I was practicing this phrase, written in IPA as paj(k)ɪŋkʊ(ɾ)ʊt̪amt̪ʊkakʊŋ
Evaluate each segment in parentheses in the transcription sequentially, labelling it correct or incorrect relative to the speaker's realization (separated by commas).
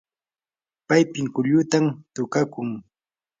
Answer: incorrect, incorrect